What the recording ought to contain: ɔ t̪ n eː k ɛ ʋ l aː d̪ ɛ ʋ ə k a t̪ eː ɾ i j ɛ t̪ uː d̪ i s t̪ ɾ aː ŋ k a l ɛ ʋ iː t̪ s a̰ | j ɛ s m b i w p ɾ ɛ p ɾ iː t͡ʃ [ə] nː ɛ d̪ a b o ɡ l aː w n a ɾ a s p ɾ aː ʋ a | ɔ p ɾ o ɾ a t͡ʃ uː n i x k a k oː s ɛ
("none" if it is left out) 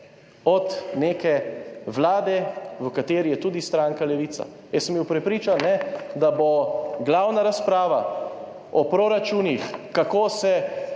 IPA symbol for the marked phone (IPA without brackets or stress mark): a